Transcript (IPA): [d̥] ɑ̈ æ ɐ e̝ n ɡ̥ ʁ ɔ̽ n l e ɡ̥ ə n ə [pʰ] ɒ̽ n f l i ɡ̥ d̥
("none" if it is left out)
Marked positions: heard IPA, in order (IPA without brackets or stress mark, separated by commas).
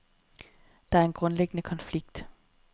d̥, kʰ